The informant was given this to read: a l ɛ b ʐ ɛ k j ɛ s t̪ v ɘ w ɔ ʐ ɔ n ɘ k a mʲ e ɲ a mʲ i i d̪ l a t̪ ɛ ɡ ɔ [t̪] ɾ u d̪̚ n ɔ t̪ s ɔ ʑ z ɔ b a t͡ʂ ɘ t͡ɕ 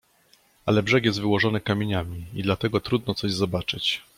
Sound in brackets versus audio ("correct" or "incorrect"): correct